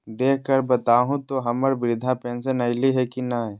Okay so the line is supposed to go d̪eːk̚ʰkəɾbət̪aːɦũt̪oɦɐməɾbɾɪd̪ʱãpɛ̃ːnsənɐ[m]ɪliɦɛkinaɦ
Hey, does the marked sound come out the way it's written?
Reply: no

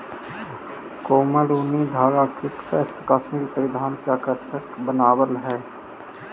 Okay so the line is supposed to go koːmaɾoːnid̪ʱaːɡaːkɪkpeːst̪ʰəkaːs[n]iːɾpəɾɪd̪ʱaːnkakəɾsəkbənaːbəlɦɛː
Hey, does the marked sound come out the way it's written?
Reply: no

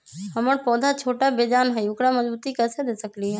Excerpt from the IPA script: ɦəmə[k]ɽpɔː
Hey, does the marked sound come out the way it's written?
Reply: no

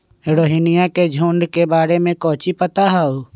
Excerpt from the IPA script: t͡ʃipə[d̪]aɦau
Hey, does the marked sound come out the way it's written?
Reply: no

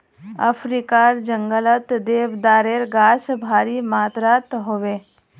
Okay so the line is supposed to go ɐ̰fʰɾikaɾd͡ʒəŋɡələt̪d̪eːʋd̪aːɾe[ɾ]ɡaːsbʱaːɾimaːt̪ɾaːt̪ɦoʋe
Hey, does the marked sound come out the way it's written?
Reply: yes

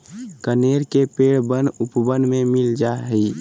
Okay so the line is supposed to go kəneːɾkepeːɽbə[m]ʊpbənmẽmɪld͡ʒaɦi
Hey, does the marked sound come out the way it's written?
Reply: no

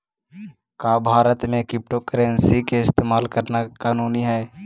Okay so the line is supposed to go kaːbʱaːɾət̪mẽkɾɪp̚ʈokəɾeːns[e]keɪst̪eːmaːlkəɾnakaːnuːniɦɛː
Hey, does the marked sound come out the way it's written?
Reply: no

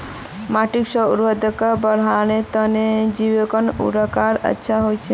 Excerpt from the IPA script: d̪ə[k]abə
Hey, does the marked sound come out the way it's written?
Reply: yes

